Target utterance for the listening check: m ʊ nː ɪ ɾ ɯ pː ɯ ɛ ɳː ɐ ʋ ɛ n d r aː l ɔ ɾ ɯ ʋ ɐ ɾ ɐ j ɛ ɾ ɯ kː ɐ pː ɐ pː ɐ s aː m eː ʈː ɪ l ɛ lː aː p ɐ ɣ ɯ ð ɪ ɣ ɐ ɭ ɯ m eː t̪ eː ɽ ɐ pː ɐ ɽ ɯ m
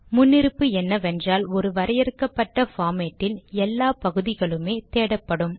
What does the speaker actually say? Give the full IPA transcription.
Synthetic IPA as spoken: m ʊ nː ɪ ɾ ɯ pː ɯ ɛ nː ɐ ʋ ɛ n d r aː l ɔ ɾ ɯ ʋ ɐ ɾ ɐ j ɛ ɾ ɯ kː ɐ pː ɐ ʈː ɐ f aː m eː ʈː ɪ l ɛ lː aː p ɐ ɣ ɯ ð ɪ ɣ ɐ ɭ ɯ m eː t̪ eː ɽ ɐ pː ɐ ɽ ɯ m